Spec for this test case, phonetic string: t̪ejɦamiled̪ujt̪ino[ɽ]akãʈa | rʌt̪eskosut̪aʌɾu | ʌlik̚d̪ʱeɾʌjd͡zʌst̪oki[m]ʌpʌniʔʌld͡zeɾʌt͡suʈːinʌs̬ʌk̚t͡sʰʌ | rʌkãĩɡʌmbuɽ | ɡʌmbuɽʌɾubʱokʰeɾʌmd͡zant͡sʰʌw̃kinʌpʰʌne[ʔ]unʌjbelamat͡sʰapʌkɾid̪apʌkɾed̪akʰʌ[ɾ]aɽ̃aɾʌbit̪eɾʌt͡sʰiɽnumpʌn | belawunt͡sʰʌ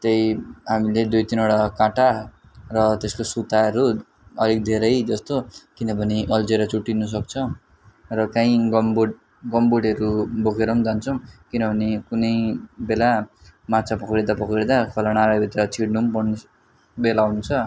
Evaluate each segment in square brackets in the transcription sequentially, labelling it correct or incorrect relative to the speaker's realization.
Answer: correct, incorrect: n, incorrect: k, incorrect: l

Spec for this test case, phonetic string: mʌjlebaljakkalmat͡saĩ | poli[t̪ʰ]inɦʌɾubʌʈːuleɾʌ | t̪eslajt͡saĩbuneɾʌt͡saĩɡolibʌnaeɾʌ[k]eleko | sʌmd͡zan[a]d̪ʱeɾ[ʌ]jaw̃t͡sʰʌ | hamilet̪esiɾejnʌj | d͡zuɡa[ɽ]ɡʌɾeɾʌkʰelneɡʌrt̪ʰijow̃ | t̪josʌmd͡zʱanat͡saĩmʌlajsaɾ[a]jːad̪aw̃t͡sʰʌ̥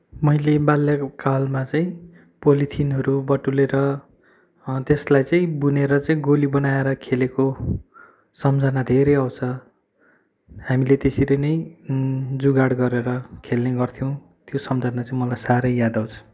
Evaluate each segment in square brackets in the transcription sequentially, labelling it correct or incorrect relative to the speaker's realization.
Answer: correct, incorrect: kʰ, correct, correct, correct, incorrect: ʌ

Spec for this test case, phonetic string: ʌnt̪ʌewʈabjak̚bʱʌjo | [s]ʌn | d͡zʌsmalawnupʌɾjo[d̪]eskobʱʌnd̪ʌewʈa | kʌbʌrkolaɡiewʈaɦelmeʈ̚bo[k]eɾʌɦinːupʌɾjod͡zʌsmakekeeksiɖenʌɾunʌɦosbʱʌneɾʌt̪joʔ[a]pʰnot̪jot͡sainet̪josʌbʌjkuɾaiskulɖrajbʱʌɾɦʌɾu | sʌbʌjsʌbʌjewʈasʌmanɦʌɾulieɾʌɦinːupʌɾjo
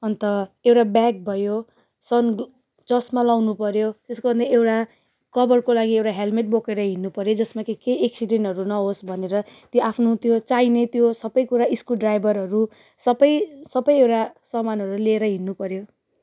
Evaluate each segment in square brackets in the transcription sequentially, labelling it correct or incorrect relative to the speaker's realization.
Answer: correct, incorrect: t̪, correct, correct

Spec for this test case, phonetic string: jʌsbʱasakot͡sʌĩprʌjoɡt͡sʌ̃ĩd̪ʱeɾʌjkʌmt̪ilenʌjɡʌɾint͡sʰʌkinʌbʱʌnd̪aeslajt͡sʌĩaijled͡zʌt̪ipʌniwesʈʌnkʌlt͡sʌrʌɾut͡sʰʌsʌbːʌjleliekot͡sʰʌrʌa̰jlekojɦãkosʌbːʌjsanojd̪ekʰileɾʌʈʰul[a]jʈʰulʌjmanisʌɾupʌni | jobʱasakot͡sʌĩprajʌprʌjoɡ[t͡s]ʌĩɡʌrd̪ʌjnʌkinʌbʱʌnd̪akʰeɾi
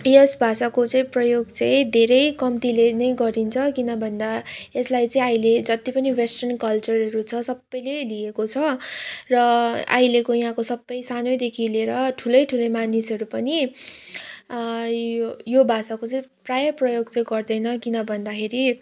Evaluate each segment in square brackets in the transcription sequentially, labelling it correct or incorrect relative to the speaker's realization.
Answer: incorrect: ʌ, correct

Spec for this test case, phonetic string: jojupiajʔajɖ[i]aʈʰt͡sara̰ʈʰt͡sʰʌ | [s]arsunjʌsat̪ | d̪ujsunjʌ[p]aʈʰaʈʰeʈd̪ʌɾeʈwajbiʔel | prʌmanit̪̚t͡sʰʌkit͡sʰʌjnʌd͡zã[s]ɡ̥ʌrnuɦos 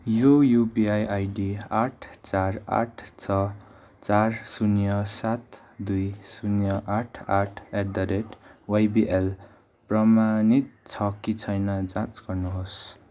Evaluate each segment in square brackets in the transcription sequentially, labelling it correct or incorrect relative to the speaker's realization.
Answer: correct, incorrect: t͡s, incorrect: ʔ, incorrect: t͡s

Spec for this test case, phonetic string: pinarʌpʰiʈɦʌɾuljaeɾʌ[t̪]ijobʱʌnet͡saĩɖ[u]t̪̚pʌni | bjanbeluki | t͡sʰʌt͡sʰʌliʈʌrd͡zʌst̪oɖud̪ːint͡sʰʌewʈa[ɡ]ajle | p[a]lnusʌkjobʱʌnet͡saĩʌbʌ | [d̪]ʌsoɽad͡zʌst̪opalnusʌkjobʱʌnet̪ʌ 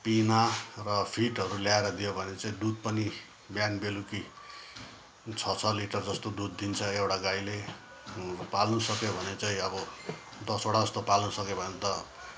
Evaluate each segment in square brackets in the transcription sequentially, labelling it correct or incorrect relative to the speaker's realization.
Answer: incorrect: d̪, correct, correct, correct, correct

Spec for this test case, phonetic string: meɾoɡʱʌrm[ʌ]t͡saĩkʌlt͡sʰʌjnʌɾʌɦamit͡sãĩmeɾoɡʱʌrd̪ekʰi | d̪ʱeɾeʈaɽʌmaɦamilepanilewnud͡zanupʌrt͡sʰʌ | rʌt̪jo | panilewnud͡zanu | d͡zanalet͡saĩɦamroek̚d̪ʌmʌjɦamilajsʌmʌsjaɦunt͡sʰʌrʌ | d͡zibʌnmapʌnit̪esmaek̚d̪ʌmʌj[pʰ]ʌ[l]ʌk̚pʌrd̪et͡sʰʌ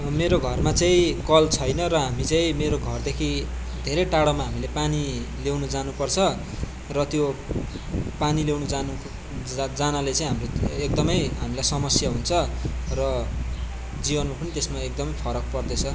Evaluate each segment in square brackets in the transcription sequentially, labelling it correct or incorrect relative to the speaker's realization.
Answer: incorrect: a, correct, incorrect: ɾ

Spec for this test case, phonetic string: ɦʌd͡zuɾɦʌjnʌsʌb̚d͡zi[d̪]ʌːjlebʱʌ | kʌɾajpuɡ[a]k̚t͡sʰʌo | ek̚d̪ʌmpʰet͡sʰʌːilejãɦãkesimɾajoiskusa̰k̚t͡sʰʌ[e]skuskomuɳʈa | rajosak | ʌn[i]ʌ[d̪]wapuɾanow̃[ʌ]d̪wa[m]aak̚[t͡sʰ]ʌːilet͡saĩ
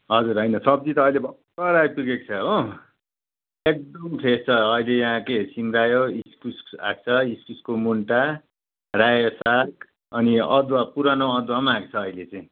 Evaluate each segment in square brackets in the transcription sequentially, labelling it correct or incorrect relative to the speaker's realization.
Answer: incorrect: t̪, incorrect: e, incorrect: i, correct, correct, correct, correct, correct

